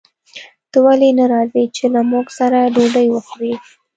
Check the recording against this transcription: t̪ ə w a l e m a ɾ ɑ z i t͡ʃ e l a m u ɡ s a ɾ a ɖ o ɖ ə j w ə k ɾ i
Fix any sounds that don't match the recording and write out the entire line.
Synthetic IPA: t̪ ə w a l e n a ɾ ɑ z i t͡ʃ e l a m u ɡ s a ɾ a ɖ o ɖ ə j w ə x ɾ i